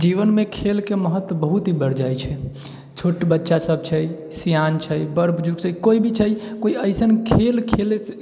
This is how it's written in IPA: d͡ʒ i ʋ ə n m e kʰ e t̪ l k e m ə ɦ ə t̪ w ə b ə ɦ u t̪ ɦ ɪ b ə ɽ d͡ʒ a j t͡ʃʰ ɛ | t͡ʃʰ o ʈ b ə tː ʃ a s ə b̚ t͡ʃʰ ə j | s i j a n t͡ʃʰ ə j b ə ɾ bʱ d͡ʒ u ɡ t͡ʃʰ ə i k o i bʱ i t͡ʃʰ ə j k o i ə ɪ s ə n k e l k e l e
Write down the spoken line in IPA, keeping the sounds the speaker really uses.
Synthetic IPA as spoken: d͡ʒ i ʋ ə n m e kʰ e l k e m ə ɦ ə t̪ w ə b ə ɦ u t̪ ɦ i b ə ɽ d͡ʒ a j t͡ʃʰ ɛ | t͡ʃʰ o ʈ b ə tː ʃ a s ə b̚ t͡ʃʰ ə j | s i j a n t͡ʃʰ ə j b ə ɾ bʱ d͡ʒ u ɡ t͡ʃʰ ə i k o i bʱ i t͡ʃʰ ə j k o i ə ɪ s ə n kʰ e l kʰ e l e